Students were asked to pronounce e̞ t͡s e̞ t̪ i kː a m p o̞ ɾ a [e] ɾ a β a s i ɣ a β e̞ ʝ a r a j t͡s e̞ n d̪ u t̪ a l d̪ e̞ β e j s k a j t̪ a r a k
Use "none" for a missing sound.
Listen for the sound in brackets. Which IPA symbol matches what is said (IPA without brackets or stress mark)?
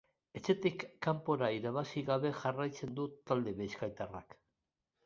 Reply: i